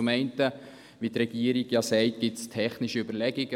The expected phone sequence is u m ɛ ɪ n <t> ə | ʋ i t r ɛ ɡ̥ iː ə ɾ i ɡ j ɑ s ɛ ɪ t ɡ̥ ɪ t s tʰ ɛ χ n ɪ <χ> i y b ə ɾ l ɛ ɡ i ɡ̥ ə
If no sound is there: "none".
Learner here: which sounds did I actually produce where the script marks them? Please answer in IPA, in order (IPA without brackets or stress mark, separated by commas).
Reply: t, ʃ